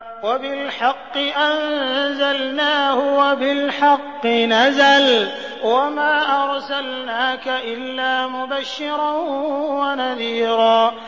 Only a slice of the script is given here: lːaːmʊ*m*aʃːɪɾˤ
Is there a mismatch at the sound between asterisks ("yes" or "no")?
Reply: yes